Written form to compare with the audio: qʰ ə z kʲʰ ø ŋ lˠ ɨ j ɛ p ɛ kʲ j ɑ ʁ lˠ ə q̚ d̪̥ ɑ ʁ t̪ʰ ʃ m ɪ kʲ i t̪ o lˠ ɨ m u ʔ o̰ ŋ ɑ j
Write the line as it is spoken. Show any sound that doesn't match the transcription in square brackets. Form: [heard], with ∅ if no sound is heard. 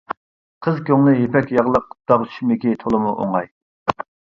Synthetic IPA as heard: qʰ ə z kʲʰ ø ŋ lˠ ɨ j [e] p ɛ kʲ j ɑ ʁ lˠ ə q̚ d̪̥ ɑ ʁ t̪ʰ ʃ m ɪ kʲ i [t̪ʰ] o lˠ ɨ m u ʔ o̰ ŋ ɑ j